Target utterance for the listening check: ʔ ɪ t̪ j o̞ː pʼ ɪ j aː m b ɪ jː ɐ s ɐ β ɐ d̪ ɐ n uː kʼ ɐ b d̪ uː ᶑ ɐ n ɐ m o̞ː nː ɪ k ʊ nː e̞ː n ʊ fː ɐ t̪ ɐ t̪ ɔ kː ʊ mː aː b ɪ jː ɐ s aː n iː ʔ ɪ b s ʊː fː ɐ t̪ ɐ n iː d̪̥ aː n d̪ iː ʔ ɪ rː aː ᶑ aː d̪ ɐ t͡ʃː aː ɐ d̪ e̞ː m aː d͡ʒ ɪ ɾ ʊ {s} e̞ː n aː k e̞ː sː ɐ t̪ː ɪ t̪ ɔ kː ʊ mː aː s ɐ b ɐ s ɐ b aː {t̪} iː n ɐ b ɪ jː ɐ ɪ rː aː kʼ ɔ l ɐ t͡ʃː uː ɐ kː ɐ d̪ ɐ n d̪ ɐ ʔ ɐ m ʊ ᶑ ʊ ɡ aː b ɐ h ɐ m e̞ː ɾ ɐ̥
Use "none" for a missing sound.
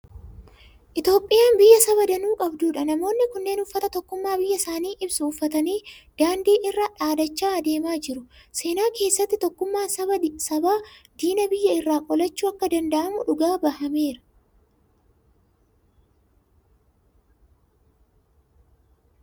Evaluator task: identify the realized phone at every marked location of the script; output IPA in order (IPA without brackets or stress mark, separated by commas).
s, d̪